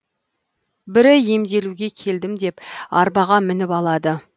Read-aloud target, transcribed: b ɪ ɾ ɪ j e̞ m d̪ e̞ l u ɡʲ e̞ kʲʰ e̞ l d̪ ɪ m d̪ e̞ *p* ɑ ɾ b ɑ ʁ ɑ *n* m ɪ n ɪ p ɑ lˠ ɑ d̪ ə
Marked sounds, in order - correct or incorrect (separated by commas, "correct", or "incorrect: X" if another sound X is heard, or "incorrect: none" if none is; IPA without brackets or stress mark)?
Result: correct, incorrect: none